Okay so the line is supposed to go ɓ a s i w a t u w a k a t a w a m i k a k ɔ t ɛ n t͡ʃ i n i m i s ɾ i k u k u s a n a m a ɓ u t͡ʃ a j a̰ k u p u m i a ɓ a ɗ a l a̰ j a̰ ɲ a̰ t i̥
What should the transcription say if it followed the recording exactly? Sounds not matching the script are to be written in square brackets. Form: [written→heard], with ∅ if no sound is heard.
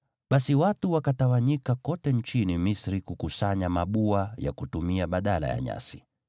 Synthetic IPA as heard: ɓ a s i w a t u w a k a t a w a [m→ɲ] i k a k ɔ t ɛ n t͡ʃ i n i m i s ɾ i k u k u s a [n→ɲ] a m a ɓ u [t͡ʃ→∅] a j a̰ k u [p→t] u m i a ɓ a ɗ a l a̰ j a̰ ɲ a̰ [t→s] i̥